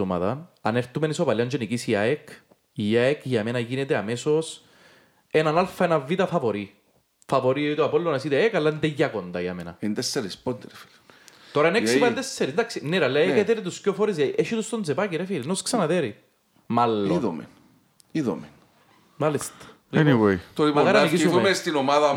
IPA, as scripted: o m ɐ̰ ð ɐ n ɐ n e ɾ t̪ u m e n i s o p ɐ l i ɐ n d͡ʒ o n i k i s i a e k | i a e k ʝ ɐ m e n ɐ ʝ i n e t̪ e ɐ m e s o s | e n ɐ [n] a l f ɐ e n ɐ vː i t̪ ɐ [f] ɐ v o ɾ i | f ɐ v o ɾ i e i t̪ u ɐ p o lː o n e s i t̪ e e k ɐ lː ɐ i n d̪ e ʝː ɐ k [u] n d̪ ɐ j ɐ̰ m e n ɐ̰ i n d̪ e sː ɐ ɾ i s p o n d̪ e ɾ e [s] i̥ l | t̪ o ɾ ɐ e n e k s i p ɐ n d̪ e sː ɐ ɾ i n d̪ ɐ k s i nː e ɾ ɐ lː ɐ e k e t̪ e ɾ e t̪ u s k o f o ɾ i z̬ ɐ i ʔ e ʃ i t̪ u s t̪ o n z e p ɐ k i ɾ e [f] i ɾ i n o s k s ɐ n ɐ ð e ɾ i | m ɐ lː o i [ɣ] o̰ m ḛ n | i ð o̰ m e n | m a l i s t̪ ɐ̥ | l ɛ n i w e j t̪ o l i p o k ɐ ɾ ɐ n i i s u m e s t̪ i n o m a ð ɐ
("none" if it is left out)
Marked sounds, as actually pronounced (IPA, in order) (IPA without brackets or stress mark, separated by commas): n, f, o, f, f, ð